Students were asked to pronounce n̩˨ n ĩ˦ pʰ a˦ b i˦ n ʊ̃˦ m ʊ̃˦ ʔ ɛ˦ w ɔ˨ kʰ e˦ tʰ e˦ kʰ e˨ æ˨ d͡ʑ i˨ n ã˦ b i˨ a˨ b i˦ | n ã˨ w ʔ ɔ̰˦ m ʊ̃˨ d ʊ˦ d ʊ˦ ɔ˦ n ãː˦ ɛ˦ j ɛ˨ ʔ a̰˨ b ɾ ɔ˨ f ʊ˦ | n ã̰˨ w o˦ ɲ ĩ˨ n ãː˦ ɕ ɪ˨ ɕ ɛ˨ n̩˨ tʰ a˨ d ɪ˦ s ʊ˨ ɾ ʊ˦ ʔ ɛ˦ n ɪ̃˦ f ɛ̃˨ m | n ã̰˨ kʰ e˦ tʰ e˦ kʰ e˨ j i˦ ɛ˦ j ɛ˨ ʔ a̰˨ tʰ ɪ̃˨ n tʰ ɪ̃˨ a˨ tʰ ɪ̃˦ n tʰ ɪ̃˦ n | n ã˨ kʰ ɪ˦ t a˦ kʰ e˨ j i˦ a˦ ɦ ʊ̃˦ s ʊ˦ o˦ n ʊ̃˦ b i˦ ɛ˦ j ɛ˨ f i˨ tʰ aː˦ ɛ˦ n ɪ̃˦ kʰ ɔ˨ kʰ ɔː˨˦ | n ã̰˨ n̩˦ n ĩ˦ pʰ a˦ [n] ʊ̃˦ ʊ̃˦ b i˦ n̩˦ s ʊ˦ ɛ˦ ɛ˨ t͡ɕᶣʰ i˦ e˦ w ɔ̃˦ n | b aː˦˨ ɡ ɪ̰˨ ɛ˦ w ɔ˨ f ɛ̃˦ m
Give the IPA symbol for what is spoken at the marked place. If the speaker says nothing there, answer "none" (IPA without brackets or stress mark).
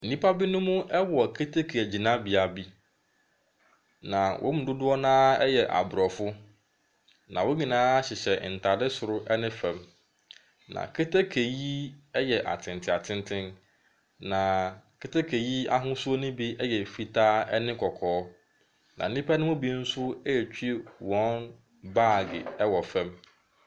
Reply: n